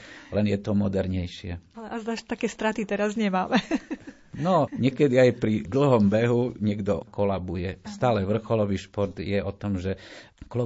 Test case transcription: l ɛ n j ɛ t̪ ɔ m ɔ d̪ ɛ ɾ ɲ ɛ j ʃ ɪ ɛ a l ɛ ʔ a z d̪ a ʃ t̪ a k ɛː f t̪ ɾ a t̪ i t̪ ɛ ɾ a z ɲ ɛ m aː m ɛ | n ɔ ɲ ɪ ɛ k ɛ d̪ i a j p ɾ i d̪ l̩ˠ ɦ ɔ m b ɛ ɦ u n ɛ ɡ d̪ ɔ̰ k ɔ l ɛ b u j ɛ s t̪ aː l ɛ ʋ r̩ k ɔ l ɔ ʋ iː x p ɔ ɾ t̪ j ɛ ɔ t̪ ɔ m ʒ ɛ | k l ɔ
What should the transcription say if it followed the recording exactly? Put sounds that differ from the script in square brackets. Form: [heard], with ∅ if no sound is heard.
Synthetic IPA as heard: l ɛ n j ɛ t̪ ɔ m ɔ d̪ ɛ ɾ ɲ ɛ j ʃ ɪ ɛ a l ɛ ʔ a z d̪ a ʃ t̪ a k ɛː [s] t̪ ɾ a t̪ i t̪ ɛ ɾ a z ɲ ɛ m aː m ɛ | n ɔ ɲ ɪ ɛ k ɛ d̪ i a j p ɾ i d̪ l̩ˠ ɦ ɔ m b ɛ ɦ u [ɲ] ɛ ɡ d̪ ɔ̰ k ɔ l [a] b u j ɛ s t̪ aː l ɛ ʋ r̩ [x] ɔ l ɔ ʋ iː [ʃ] p ɔ ɾ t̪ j ɛ ɔ t̪ ɔ m ʒ ɛ | k l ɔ